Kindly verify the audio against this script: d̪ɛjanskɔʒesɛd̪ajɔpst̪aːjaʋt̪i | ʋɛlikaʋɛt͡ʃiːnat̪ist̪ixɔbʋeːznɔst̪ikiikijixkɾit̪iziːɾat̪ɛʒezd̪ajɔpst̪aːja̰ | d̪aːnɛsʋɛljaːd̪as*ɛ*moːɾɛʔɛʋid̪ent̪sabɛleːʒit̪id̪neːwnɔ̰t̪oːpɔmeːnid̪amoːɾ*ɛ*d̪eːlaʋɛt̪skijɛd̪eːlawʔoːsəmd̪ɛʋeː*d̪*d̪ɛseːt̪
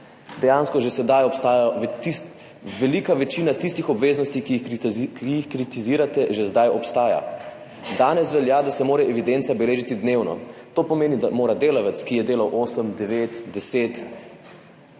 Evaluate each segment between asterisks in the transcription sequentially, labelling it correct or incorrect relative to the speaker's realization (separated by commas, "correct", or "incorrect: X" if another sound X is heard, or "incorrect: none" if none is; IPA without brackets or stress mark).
correct, incorrect: a, incorrect: t̪